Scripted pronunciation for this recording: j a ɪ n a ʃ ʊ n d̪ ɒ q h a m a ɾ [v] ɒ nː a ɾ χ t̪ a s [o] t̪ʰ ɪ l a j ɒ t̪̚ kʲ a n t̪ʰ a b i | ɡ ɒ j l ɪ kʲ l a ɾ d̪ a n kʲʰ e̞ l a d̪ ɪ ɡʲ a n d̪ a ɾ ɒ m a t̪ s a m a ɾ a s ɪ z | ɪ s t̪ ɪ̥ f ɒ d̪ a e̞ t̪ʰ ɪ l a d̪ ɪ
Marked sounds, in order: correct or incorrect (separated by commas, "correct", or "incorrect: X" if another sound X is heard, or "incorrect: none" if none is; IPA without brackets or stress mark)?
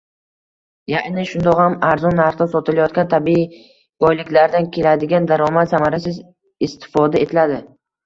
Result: incorrect: z, incorrect: ɒ